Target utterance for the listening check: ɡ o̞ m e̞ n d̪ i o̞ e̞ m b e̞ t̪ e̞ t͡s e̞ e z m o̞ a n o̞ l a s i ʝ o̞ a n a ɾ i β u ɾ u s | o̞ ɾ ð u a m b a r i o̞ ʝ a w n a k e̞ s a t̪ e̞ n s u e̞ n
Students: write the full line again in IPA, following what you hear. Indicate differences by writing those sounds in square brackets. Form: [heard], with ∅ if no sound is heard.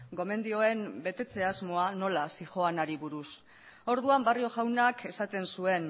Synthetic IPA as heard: ɡ o̞ m e̞ n d̪ i o̞ e̞ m b e̞ t̪ e̞ t͡s e̞ [a] z m o̞ a n o̞ l a s i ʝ o̞ a n a ɾ i β u ɾ u s | o̞ ɾ ð u a m b a r i o̞ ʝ a w n a k e̞ s a t̪ e̞ n s u e̞ n